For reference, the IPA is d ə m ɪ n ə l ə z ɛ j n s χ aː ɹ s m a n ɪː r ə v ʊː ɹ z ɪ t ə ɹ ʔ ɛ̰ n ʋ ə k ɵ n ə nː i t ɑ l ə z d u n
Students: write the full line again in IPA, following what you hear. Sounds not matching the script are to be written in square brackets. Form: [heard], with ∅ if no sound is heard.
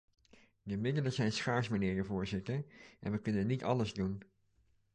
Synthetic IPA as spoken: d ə m ɪ [d] ə l ə z ɛ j n s χ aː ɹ s m a n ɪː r ə v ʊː ɹ z ɪ t ə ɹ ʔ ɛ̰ n ʋ ə k ɵ n ə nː i t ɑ l ə z d u n